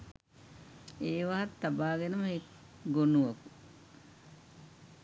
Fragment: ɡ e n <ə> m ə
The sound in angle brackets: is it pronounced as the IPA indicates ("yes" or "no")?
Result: yes